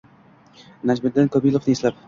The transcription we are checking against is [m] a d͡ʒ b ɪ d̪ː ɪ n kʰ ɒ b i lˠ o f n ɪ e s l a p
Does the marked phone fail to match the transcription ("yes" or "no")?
yes